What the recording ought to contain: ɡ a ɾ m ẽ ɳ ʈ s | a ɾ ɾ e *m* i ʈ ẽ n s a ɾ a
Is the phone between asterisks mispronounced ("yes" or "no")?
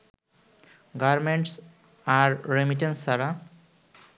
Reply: no